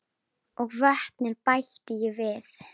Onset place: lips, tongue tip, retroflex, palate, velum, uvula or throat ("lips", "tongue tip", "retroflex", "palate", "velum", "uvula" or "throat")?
velum